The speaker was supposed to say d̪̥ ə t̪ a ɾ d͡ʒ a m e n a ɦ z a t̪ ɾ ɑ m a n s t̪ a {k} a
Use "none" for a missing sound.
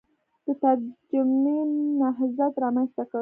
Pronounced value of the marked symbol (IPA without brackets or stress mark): k